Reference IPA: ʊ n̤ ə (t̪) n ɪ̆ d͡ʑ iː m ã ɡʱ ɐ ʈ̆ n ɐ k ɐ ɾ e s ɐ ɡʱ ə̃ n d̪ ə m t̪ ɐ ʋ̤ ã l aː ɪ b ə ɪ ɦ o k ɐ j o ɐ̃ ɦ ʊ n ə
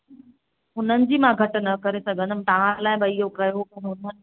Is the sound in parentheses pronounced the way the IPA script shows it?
no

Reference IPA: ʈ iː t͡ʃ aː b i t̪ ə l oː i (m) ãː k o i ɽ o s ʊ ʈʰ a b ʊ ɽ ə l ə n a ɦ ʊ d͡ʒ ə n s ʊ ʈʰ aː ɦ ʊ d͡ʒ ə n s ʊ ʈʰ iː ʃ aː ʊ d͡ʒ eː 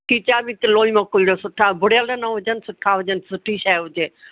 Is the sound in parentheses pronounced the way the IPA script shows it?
yes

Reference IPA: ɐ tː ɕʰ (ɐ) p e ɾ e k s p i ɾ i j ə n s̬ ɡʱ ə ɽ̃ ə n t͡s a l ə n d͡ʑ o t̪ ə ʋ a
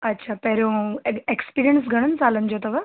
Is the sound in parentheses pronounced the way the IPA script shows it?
no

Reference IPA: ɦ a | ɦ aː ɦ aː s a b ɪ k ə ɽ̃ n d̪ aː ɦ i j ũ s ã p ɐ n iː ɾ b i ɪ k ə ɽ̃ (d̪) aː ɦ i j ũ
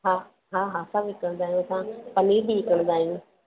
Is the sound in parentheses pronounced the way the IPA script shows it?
yes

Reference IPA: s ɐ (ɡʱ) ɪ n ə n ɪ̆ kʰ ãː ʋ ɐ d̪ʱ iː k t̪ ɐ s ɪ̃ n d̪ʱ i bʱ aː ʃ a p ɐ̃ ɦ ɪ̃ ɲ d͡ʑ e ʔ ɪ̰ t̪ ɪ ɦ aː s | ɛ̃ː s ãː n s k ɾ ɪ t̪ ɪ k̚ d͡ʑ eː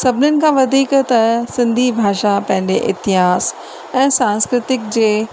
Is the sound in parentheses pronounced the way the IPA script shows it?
no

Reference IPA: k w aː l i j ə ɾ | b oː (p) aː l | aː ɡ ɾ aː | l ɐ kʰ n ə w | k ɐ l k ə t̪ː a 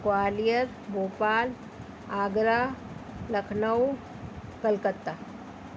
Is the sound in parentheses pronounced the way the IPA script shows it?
yes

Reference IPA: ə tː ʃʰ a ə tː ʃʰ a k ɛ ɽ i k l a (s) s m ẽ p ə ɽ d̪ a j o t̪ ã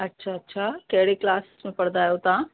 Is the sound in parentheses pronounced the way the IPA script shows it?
yes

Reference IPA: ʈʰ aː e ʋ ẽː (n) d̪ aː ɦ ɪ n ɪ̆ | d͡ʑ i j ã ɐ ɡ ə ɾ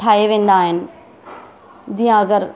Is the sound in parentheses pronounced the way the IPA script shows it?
yes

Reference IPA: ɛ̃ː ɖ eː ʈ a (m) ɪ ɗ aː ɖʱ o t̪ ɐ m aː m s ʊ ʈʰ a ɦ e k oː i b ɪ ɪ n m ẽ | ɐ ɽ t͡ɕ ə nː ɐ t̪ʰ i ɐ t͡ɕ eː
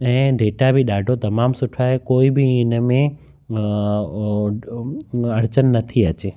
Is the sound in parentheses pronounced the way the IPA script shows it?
no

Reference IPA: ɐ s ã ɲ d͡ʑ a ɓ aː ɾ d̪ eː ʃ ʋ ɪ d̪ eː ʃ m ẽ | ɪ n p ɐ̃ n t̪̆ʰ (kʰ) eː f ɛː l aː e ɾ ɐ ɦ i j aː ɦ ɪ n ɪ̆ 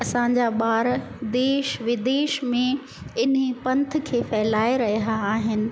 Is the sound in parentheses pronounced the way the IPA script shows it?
yes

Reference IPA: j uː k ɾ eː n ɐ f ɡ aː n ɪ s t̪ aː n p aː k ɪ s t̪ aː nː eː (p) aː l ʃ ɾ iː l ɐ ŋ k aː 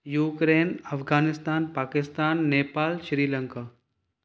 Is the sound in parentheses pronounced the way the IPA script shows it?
yes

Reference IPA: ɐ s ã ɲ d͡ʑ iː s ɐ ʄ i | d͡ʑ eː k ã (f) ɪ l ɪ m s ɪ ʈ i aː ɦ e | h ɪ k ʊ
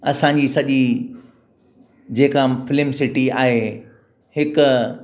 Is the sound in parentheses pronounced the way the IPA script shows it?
yes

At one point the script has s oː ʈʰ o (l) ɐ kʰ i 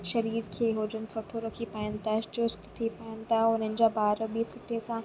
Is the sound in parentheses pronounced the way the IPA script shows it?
no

